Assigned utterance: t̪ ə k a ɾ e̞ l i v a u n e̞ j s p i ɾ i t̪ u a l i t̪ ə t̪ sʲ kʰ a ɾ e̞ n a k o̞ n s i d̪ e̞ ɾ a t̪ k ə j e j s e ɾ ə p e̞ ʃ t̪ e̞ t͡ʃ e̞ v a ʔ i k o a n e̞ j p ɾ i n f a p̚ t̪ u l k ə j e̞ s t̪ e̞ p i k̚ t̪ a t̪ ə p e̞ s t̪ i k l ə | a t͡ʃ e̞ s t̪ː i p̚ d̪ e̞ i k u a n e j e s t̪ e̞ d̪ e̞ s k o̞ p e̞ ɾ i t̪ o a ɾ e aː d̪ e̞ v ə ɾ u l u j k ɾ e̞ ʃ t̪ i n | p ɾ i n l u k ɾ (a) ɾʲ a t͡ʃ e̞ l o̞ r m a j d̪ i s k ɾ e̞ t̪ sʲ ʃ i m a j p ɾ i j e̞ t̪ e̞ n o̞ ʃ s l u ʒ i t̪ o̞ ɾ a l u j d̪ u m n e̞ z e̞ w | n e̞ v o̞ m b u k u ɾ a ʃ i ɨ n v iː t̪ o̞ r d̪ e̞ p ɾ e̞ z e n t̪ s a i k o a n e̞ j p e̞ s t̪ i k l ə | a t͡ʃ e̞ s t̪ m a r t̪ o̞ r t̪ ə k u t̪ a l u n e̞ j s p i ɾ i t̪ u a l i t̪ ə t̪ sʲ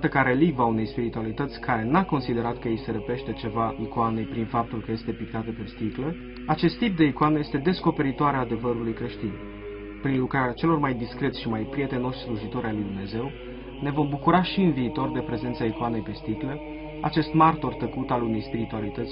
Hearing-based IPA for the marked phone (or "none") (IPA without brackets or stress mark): a